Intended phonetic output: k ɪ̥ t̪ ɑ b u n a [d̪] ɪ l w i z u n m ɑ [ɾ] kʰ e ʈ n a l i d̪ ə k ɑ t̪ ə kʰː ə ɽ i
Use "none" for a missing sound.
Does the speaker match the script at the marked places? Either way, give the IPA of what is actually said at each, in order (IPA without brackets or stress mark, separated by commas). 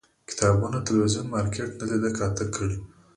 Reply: t̪, ɾ